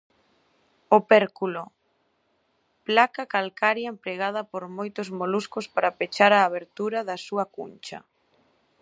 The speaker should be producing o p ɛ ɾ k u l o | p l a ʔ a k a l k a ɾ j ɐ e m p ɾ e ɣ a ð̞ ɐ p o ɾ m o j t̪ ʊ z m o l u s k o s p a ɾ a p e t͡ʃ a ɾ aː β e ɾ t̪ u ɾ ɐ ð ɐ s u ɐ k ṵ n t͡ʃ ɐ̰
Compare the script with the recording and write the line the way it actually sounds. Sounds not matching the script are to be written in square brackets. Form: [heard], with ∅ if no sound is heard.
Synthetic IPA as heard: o p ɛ ɾ k u l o | p l a [k] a k a l k a ɾ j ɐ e m p ɾ e ɣ a ð̞ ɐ p o ɾ m o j t̪ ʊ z m o l u s k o s p a ɾ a p e t͡ʃ a ɾ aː β e ɾ t̪ u ɾ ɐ ð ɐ s u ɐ k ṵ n t͡ʃ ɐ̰